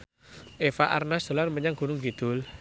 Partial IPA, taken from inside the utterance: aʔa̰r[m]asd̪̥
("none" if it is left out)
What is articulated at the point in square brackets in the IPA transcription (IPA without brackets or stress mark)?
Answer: n